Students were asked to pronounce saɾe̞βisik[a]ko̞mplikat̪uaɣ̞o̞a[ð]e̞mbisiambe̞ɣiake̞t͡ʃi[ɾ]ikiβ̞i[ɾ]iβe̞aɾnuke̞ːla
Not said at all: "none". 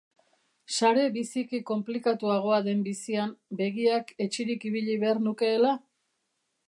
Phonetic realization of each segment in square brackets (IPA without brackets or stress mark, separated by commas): i, ð, ɾ, ʎ